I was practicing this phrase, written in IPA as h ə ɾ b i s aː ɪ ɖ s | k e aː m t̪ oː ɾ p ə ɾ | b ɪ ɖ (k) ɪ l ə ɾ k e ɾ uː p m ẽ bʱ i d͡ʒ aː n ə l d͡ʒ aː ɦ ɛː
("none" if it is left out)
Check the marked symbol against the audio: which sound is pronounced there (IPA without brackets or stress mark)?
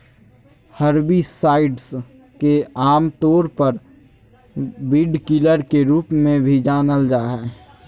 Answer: k